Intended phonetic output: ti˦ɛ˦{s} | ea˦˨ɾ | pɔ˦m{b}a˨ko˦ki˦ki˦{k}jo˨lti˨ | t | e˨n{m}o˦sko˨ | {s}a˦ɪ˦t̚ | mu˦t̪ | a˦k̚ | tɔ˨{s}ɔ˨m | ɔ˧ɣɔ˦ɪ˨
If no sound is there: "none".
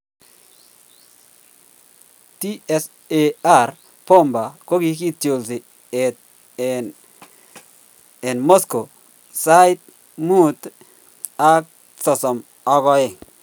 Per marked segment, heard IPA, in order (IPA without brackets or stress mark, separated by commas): s, b, t, m, s, s